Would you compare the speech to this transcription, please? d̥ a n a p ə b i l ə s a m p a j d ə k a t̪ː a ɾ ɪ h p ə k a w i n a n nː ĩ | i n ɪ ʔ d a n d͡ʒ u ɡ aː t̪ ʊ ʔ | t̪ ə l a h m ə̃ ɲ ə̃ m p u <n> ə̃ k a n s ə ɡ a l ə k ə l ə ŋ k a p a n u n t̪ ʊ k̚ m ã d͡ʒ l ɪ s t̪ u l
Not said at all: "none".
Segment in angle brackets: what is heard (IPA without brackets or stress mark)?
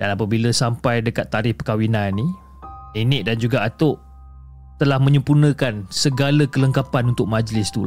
n